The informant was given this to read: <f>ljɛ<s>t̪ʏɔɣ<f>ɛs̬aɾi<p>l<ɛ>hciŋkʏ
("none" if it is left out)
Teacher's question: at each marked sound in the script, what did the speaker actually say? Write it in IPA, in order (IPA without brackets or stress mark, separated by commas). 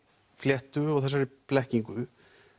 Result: f, h, θ, p, ɛ